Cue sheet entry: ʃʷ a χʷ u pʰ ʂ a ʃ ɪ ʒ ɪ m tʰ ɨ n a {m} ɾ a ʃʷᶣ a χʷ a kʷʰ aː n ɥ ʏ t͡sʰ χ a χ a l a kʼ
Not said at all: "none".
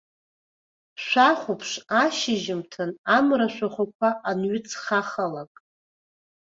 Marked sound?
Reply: m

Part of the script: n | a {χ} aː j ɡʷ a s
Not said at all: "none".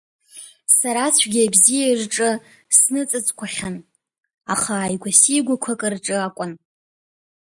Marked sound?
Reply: χ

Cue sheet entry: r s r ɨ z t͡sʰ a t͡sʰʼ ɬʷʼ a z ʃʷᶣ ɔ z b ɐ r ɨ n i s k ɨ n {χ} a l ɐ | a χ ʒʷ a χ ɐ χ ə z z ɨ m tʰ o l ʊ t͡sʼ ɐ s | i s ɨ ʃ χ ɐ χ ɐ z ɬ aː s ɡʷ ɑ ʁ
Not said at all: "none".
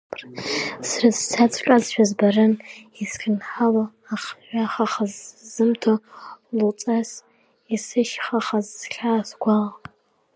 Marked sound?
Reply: ħ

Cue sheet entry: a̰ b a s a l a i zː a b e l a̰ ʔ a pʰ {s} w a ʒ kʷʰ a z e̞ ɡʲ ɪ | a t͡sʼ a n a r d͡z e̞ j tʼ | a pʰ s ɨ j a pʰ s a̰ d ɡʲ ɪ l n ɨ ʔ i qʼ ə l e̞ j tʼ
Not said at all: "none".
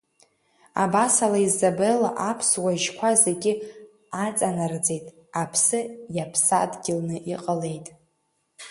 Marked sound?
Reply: s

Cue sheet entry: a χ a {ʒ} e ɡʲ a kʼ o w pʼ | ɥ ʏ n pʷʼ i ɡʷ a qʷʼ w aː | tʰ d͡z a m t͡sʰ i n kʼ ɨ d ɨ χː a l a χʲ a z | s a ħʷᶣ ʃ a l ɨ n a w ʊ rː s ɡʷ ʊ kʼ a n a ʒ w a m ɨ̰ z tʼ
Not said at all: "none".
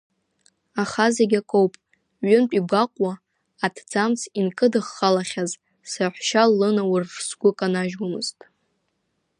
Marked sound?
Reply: z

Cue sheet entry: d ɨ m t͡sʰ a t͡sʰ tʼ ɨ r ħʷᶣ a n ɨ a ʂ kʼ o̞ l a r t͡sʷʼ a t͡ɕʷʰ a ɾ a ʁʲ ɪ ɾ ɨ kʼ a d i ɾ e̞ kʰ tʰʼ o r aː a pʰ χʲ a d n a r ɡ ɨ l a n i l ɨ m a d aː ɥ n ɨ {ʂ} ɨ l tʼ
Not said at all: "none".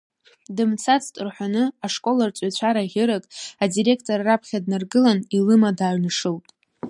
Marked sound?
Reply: ʂ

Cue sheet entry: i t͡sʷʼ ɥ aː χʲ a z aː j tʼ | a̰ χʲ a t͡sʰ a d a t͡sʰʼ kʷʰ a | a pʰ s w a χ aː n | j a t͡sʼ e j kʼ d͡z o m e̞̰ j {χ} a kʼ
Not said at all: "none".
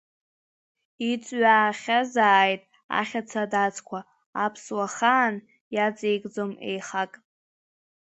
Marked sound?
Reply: χ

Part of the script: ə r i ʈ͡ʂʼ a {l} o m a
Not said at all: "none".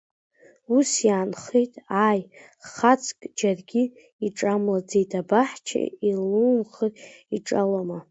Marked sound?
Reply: l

